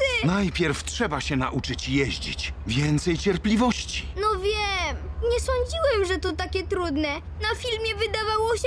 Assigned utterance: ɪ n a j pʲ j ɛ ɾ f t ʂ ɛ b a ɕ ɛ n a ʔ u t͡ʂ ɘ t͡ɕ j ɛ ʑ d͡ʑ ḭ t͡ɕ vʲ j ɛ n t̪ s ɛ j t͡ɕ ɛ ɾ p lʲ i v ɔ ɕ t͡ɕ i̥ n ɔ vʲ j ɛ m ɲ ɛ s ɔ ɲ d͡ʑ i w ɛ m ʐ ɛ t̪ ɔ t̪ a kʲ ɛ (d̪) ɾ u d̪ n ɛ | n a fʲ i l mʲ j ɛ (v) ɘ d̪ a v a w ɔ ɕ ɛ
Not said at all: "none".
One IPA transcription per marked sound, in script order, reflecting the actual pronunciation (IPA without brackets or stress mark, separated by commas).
t̪, v